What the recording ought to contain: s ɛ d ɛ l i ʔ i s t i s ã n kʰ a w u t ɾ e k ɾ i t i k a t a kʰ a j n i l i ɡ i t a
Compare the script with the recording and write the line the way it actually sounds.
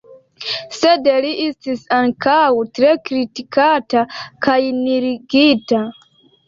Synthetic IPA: s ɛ d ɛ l i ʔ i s t i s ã n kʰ a w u t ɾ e k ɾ i t i k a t a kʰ a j n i ɾ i ɡ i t a